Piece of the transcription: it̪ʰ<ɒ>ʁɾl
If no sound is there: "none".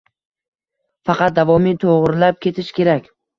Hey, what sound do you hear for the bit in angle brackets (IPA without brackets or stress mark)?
o